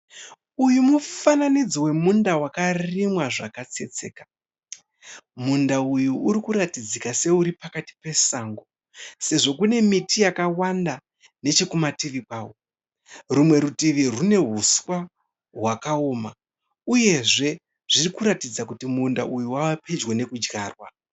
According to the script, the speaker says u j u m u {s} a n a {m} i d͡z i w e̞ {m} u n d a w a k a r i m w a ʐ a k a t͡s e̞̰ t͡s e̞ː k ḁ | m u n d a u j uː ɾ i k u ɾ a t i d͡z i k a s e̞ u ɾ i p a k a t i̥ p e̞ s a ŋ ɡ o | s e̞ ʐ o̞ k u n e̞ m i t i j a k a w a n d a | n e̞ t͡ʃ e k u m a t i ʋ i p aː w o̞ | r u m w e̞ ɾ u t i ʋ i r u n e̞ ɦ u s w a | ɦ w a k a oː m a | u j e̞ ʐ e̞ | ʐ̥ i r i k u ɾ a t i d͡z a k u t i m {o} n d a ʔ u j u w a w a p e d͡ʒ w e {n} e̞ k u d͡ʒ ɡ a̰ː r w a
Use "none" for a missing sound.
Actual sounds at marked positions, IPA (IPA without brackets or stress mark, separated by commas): f, n, m, u, n